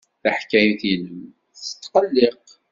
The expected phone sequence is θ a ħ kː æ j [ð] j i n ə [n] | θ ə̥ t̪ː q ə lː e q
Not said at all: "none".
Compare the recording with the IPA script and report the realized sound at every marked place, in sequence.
θ, m

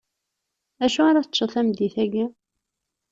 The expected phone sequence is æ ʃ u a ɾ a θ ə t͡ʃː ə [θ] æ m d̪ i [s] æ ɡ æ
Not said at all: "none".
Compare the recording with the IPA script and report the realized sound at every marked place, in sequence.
θ, θ

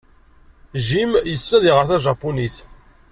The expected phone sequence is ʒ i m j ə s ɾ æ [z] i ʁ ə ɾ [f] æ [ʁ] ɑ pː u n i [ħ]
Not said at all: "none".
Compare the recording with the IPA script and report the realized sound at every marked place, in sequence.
ð, θ, ʒ, θ

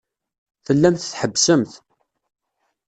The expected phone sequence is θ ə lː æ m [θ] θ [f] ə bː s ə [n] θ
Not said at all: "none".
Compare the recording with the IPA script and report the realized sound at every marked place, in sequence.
θ, ħ, m

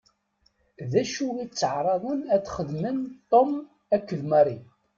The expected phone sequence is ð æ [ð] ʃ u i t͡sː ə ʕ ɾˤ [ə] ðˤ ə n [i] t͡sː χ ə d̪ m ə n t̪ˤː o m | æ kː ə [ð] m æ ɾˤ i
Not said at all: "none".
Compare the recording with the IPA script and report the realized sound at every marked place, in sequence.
none, ɑ, æ, ð

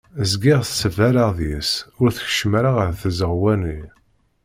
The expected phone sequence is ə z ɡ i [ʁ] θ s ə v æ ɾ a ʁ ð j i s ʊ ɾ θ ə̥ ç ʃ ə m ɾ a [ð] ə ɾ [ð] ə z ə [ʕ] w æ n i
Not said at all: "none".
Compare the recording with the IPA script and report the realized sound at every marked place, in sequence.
ʁ, ʁ, θ, ʁ

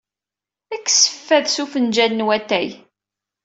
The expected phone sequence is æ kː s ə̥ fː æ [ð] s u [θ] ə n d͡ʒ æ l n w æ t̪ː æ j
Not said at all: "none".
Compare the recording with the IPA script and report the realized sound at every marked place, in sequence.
ð, f

